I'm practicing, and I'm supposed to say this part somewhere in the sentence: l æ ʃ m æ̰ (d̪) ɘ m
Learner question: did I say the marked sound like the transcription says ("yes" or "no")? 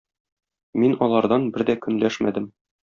yes